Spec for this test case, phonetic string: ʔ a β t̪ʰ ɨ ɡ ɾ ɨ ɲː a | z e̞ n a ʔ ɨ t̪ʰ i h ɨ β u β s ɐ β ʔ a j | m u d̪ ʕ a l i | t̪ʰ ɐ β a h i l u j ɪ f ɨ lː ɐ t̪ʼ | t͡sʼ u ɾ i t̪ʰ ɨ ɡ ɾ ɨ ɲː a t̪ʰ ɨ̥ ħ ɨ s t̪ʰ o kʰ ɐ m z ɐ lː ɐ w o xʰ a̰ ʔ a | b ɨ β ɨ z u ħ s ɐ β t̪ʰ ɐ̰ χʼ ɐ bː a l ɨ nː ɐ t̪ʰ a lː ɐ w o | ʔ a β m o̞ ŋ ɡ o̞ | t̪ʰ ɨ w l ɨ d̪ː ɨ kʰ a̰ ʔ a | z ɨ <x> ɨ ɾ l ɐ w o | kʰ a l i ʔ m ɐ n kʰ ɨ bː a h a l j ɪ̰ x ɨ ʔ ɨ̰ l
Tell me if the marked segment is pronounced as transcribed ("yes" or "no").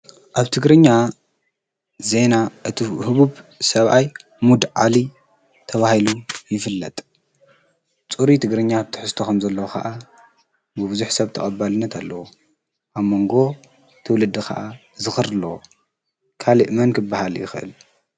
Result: yes